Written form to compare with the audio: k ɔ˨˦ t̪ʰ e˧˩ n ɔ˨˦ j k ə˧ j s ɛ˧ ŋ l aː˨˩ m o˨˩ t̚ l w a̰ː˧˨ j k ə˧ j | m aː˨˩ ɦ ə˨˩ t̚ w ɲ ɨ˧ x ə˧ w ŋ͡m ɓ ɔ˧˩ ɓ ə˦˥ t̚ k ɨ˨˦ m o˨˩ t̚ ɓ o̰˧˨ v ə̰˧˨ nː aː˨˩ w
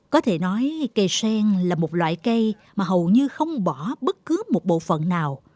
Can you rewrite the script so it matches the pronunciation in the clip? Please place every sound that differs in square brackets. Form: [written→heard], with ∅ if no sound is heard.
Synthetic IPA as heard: k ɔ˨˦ t̪ʰ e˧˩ n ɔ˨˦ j k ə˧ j s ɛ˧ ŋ l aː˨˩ m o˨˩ t̚ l w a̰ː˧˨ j k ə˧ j | m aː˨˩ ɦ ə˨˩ [t̚→∅] w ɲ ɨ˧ x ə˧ w ŋ͡m ɓ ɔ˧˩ ɓ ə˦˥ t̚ k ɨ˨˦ m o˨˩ t̚ ɓ o̰˧˨ [v→f] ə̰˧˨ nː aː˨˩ w